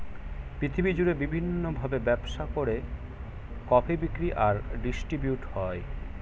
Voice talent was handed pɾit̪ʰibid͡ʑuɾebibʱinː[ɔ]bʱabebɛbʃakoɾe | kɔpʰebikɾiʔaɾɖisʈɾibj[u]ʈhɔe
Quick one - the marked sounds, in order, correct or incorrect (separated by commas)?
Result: incorrect, correct